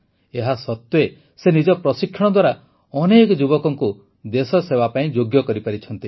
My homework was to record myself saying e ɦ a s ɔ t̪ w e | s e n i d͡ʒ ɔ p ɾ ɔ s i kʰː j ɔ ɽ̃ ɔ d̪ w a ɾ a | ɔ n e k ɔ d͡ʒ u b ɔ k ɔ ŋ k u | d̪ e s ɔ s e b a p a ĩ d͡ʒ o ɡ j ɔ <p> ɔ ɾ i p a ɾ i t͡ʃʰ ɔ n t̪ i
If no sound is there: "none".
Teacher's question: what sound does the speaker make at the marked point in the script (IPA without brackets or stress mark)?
k